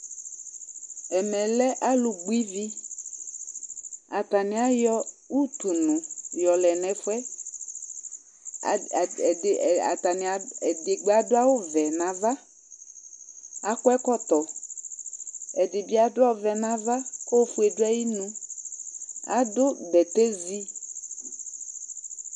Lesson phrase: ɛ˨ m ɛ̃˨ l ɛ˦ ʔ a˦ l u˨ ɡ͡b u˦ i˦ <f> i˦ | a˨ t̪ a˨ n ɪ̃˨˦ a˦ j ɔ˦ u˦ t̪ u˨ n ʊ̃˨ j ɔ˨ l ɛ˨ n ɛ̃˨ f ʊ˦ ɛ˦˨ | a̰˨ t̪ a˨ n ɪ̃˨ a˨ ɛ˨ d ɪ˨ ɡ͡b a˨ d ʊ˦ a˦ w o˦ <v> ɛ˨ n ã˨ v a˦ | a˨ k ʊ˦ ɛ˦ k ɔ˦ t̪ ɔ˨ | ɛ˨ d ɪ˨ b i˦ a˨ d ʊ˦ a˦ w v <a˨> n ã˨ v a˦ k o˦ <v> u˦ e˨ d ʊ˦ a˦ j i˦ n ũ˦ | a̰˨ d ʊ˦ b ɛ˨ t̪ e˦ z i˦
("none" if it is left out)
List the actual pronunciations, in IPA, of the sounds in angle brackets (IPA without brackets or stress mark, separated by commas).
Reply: v, v, ɛ˨, f